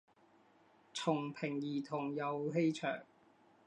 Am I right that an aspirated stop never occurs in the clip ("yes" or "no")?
no